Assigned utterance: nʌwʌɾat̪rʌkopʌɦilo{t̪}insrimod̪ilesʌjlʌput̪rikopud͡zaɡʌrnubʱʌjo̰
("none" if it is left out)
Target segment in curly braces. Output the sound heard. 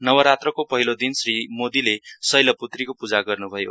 d̪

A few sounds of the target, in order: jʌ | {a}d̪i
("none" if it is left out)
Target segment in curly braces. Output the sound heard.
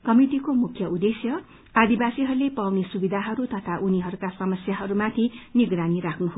a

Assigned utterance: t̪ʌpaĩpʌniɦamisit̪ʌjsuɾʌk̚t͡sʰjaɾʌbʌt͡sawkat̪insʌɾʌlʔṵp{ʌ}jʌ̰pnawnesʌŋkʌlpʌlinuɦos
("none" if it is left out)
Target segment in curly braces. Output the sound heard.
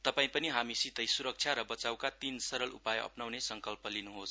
a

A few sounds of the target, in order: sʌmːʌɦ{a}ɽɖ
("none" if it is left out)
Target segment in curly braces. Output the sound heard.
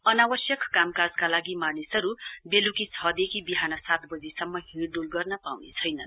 i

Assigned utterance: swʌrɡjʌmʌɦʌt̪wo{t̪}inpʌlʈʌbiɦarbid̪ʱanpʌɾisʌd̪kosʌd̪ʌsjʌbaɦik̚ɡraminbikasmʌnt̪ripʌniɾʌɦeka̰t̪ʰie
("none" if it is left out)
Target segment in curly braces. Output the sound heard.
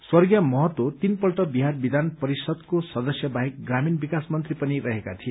t̪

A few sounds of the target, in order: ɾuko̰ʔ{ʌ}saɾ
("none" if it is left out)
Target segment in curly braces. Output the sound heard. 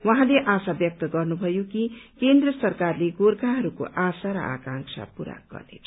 a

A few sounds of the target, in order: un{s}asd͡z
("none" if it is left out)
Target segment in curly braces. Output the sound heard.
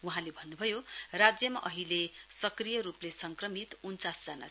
t͡s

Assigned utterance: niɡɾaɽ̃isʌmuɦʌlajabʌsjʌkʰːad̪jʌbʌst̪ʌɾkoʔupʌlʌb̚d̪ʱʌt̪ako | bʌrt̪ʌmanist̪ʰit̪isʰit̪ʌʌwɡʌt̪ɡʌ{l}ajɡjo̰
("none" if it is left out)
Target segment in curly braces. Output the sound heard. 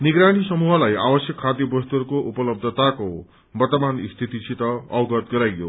ɾ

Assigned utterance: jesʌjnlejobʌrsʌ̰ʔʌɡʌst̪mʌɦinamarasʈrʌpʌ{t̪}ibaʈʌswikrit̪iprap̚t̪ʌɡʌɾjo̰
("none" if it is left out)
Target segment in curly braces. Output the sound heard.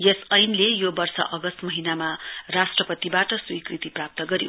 t̪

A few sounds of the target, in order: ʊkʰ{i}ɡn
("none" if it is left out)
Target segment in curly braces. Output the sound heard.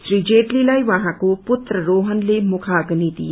a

